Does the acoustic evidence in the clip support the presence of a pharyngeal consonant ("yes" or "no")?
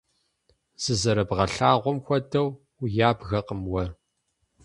no